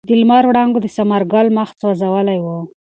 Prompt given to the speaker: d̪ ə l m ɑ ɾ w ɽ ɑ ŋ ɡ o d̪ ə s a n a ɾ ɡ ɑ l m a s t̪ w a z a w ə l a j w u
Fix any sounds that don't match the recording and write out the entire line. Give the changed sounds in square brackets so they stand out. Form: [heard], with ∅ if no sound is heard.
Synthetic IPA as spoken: d̪ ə l m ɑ ɾ w ɽ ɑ ŋ ɡ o d̪ ə s a [m] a ɾ ɡ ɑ l m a [x] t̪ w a z a w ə l a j w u